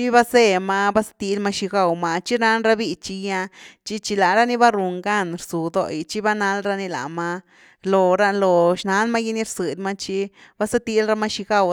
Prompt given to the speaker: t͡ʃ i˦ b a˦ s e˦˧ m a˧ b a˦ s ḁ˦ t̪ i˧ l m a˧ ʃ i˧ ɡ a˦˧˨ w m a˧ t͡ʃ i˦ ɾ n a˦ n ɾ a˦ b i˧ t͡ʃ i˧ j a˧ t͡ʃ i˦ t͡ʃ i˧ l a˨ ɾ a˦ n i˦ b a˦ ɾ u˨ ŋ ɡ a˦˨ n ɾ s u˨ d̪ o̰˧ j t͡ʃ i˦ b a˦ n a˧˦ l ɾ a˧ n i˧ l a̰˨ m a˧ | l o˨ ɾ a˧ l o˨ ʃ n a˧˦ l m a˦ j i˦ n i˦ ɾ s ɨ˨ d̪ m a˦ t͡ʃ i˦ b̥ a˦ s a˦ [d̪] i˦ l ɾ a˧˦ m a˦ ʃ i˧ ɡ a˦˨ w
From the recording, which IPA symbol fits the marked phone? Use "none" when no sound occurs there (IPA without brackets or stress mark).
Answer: t̪